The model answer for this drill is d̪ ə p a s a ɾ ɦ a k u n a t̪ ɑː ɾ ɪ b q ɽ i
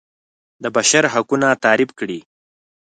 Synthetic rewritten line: d̪ ə b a ʃ a ɾ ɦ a k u n a t̪ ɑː ɾ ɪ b k ɽ i